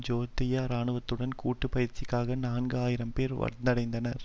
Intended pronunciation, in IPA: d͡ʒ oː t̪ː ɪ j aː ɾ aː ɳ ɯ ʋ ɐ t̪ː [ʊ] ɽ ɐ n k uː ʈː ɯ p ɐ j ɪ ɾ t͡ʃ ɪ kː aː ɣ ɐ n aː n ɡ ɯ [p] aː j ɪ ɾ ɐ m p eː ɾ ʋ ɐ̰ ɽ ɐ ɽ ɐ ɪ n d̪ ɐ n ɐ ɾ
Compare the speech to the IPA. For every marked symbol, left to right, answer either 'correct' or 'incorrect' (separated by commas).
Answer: incorrect, incorrect